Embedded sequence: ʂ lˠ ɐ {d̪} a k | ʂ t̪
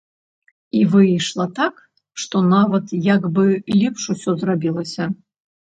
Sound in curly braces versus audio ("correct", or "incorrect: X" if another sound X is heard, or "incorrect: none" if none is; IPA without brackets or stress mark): incorrect: t̪